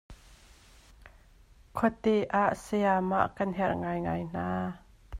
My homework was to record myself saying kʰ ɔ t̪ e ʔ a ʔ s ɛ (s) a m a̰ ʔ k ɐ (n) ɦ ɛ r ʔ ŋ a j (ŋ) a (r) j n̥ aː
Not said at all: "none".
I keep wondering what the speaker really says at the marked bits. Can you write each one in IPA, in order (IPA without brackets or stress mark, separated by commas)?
none, n, ŋ, none